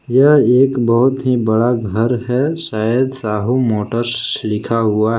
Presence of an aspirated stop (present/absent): present